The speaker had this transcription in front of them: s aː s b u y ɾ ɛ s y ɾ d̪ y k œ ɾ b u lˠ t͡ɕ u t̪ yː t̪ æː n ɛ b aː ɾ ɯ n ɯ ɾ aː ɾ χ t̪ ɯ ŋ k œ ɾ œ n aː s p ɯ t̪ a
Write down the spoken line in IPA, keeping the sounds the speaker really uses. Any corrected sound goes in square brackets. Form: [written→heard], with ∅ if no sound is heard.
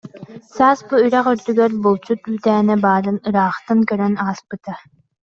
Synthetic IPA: s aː s b u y ɾ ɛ [s→χ] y ɾ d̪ y [k→ɡ] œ ɾ b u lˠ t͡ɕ u t̪ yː t̪ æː n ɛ b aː ɾ ɯ n ɯ ɾ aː [ɾ→∅] χ t̪ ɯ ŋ k œ ɾ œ n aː s p ɯ t̪ a